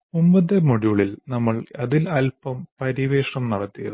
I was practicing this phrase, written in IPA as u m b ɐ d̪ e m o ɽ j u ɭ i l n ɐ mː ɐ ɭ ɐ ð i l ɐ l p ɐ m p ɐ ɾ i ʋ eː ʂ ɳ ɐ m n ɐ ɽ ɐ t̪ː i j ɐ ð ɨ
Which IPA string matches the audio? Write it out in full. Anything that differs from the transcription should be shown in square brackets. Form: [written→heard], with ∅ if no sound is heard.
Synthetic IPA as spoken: u m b ɐ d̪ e m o ɽ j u ɭ i l n ɐ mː ɐ ɭ ɐ ð i l ɐ l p ɐ m p ɐ ɾ i ʋ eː ʂ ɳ ɐ m n ɐ ɽ ɐ t̪ː i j ɐ ð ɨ

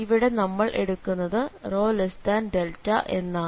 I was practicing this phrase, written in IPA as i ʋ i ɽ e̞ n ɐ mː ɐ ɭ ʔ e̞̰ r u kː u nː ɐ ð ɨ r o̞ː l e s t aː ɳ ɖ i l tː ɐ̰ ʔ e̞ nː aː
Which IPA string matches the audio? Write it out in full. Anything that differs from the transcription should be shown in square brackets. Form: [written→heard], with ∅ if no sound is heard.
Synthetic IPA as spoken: i ʋ i ɽ e̞ n ɐ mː ɐ ɭ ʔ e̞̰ [r→ɽ] u kː u nː ɐ ð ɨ r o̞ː l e s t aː [ɳ→n] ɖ [i→e] l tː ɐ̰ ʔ e̞ nː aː

